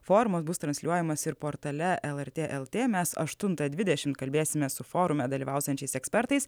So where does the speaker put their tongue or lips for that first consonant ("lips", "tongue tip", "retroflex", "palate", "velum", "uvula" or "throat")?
lips